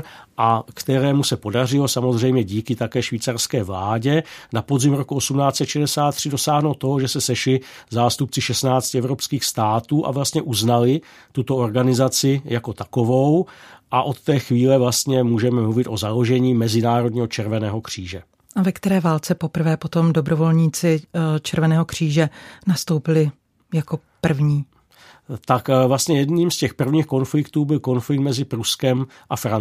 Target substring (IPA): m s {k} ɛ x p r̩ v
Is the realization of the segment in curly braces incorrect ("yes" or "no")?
yes